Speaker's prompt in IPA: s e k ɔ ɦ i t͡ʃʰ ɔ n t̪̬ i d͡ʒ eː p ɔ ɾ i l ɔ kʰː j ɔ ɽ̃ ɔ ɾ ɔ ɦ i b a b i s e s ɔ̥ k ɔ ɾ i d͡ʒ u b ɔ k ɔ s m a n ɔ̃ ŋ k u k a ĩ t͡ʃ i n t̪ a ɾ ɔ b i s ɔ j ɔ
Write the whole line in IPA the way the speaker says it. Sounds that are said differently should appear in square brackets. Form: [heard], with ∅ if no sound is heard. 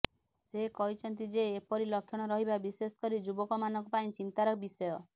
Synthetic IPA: s e k ɔ ɦ i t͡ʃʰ ɔ n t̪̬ i d͡ʒ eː p ɔ ɾ i l ɔ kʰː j ɔ ɽ̃ ɔ ɾ ɔ ɦ i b a b i s e s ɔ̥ k ɔ ɾ i d͡ʒ u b ɔ k ɔ [∅] m a n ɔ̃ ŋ k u [p] a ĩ t͡ʃ i n t̪ a ɾ ɔ b i s ɔ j ɔ